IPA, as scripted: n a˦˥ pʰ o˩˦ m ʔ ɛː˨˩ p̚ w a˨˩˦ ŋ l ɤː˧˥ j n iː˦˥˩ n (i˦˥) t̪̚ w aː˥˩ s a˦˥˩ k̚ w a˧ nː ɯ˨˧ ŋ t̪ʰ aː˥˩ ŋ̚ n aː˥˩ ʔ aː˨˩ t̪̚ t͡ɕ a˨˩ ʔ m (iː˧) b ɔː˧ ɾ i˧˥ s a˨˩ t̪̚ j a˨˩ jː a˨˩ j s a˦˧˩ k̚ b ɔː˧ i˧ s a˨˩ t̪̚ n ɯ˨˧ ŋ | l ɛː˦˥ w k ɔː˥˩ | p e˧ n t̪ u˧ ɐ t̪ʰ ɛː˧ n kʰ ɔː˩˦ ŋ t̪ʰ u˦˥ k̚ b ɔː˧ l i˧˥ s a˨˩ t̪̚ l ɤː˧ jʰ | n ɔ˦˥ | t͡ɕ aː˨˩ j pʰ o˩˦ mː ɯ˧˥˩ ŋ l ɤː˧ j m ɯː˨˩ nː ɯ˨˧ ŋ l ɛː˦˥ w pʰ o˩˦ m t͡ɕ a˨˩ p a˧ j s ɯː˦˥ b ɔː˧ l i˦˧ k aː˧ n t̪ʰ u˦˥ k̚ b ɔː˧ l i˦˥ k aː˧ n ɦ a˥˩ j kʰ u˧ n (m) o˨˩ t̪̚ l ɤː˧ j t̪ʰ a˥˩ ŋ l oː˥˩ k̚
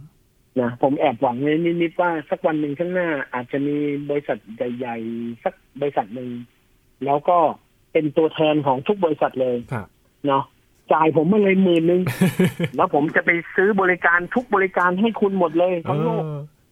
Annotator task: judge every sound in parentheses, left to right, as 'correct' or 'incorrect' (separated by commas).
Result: correct, correct, correct